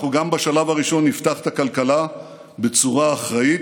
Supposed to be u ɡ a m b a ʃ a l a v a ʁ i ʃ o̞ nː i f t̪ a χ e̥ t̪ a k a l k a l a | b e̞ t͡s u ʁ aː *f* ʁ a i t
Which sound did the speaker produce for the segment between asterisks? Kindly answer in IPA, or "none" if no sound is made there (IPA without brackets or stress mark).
χ